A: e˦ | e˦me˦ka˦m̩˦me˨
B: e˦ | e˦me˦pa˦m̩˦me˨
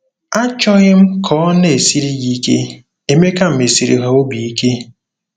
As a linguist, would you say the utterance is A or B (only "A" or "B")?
A